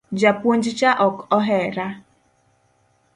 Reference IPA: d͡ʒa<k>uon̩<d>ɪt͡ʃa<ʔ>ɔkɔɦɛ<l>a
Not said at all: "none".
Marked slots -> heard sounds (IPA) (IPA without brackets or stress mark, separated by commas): p, d͡ʒ, ʔ, ɾ